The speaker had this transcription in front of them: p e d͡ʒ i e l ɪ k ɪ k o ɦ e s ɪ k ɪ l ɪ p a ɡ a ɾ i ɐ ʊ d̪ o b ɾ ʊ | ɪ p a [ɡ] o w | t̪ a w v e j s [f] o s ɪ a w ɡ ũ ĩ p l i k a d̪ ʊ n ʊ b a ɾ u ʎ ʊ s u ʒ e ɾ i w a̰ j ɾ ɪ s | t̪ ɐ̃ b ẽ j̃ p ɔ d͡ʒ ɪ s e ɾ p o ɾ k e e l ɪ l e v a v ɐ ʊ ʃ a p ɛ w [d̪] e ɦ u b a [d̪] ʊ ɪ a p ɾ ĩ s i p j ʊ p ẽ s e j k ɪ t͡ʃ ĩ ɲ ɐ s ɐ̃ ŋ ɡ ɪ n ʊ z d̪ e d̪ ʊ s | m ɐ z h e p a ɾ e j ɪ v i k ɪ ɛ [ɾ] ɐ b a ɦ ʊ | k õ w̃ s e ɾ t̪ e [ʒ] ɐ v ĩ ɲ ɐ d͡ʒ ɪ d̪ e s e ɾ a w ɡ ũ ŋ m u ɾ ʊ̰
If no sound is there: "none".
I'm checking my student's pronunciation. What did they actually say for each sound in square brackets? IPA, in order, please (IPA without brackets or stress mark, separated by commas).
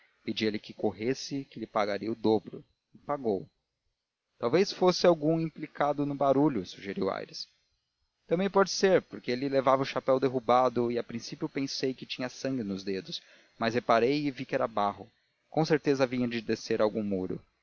ɡ, f, d̪, d̪, ɾ, z